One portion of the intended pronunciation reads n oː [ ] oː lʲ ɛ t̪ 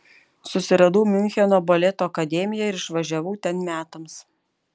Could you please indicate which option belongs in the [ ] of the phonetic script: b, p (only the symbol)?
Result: b